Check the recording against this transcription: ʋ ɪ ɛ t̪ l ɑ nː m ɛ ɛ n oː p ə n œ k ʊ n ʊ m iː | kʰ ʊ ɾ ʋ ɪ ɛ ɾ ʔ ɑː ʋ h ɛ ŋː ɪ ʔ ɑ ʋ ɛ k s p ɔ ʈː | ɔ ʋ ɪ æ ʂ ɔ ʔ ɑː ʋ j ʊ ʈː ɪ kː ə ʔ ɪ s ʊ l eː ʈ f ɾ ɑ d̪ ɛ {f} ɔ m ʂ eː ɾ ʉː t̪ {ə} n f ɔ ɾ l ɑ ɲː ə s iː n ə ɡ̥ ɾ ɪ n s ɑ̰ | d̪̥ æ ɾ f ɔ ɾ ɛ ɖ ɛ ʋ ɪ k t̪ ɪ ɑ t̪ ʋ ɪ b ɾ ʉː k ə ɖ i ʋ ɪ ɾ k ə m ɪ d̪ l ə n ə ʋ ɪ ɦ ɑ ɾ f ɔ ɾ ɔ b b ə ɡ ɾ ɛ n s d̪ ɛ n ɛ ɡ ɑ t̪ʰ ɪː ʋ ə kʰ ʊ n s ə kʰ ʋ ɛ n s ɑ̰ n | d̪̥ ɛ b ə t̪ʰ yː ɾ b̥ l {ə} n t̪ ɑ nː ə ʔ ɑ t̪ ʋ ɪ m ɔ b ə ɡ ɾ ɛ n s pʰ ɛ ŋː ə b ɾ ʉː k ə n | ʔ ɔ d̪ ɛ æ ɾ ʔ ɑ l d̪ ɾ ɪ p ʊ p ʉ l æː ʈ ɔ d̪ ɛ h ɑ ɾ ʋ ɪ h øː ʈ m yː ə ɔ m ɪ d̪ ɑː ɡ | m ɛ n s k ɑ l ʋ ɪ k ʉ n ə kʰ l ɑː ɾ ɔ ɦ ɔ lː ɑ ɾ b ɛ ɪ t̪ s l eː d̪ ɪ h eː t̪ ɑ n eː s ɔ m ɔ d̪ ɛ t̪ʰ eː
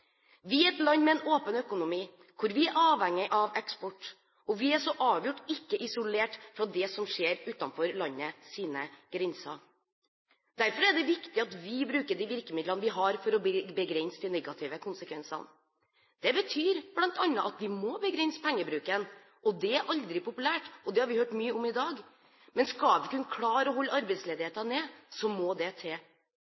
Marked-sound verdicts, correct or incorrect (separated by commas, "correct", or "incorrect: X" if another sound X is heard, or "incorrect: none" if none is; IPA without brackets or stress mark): incorrect: s, incorrect: ɑ, incorrect: ɑ